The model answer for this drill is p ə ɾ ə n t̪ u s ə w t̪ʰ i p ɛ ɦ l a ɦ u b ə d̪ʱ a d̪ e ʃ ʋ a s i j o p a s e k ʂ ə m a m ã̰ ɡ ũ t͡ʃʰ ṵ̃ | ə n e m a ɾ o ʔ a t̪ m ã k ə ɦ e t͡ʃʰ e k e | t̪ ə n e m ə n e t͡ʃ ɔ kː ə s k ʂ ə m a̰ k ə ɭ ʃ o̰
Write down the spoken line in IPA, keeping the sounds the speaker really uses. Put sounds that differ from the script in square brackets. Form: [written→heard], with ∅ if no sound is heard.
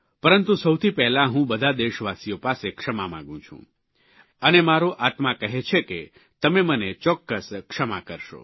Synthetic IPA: p ə ɾ ə n t̪ u s ə w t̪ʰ i p ɛ ɦ l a ɦ [u→ũ] b ə d̪ʱ a d̪ e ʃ ʋ a s i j o p a s e k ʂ ə m a m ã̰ ɡ ũ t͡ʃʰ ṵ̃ | ə n e m a ɾ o ʔ a t̪ m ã k ə ɦ e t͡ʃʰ e k e | t̪ ə [n→m] e m ə n e t͡ʃ ɔ kː ə s k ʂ ə m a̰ k ə [ɭ→ɾ] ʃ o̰